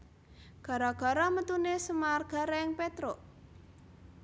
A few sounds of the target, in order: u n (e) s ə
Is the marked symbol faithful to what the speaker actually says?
yes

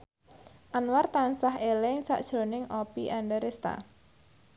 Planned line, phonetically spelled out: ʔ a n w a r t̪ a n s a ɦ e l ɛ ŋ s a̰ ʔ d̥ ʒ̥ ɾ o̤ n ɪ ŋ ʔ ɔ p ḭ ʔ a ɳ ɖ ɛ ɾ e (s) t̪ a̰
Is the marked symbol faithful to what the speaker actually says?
yes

